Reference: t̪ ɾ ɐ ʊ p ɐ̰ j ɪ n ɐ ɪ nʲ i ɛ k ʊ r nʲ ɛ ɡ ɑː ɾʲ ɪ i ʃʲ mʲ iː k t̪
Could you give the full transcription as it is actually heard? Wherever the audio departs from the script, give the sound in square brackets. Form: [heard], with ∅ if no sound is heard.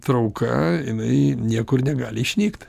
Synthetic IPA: t̪ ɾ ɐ ʊ [k] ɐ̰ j ɪ n ɐ ɪ nʲ i ɛ k ʊ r nʲ ɛ ɡ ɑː [lʲ] ɪ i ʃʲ [nʲ] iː k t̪